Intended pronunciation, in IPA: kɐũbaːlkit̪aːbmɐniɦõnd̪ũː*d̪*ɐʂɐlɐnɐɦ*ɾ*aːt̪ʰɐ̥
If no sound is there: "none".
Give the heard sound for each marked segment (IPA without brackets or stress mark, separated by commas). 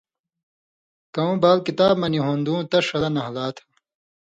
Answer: t̪, l